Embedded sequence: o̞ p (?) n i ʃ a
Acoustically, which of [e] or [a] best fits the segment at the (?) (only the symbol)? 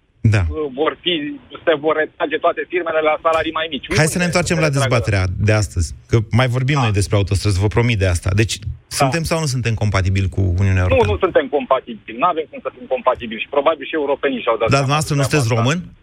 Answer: e